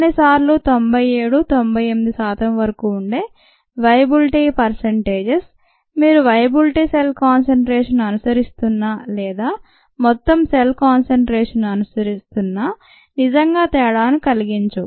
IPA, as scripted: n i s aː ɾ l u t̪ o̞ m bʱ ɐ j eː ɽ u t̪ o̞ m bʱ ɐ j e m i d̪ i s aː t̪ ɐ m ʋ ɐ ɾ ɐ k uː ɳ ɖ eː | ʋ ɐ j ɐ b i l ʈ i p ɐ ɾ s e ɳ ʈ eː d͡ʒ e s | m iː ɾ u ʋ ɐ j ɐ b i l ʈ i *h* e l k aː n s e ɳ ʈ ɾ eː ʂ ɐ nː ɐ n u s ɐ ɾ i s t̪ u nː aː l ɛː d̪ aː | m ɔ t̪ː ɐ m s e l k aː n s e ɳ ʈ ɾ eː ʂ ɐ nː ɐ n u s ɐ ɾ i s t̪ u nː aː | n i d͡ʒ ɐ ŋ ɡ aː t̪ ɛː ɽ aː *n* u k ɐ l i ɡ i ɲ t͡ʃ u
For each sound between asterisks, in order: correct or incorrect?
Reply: incorrect, correct

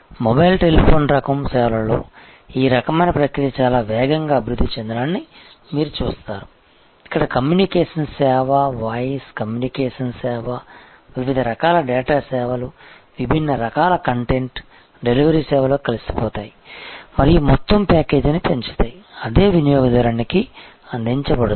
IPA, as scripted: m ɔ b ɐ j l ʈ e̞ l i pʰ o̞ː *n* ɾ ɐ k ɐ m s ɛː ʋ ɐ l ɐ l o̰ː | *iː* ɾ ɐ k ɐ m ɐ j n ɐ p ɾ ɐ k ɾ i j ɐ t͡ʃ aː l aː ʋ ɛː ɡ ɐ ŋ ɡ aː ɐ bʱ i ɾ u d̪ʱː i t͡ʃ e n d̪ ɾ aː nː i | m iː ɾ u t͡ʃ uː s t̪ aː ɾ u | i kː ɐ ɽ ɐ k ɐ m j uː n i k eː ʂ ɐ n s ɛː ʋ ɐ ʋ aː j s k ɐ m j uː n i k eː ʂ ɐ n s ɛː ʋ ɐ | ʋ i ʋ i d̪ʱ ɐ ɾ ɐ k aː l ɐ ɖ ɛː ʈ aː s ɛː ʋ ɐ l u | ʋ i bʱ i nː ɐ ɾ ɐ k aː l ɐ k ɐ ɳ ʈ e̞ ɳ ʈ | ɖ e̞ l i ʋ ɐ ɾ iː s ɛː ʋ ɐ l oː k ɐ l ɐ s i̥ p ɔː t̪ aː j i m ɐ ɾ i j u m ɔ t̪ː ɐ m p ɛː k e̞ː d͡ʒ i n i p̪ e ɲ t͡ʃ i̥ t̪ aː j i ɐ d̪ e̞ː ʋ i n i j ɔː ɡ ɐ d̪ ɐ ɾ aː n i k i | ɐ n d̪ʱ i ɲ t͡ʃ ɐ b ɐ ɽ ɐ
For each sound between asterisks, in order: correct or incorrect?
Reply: correct, correct

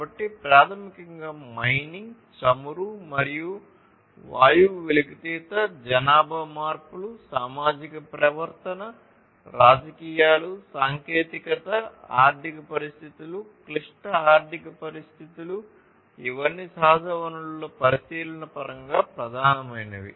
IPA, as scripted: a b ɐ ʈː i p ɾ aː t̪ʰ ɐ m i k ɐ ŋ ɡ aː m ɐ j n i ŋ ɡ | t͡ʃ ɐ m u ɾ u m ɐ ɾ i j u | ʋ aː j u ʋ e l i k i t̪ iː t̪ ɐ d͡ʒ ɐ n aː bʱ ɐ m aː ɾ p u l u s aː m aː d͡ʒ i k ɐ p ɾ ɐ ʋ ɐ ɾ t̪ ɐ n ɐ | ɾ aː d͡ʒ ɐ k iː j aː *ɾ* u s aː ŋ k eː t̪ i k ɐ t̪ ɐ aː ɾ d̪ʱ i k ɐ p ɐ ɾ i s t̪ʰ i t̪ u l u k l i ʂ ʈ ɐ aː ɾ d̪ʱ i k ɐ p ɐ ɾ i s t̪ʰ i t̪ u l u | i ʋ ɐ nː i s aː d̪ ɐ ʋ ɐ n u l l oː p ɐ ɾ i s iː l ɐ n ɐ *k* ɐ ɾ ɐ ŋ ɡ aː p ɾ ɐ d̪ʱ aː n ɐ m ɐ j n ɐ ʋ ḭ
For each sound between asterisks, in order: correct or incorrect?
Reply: incorrect, incorrect

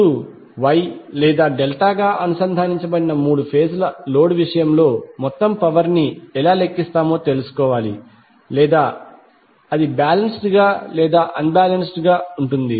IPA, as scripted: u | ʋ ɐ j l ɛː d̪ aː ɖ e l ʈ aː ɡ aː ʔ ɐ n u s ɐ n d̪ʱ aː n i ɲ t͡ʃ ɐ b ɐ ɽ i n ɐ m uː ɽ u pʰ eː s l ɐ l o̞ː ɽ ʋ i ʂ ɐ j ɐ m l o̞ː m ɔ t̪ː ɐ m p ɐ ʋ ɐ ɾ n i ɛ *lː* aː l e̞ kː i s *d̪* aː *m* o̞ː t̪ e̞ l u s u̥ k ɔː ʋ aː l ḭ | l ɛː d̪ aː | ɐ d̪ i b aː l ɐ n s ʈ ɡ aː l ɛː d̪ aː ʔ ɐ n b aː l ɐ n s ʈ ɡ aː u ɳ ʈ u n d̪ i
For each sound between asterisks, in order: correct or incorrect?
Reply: incorrect, incorrect, correct

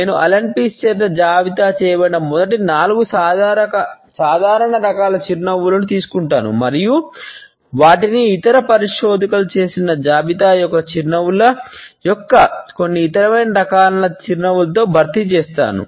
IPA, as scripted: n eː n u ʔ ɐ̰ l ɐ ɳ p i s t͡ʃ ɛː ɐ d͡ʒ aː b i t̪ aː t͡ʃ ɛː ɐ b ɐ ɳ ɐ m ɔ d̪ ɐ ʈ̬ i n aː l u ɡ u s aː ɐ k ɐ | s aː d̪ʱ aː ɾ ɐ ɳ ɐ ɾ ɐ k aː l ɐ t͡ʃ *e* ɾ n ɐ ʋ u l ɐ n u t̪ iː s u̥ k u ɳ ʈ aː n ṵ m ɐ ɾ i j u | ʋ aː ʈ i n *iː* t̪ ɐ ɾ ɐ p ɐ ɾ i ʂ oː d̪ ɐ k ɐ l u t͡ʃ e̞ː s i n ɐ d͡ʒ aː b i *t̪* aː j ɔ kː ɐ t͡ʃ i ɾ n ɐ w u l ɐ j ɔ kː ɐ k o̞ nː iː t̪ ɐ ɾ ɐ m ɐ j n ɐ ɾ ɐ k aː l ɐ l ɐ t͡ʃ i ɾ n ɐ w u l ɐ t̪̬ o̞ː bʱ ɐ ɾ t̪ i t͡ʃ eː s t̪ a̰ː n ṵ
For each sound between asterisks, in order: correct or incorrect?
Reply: incorrect, correct, correct

